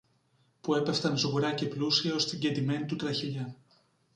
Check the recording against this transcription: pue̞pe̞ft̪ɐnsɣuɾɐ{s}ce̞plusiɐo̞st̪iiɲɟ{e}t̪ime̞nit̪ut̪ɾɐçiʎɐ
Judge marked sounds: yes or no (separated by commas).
no, yes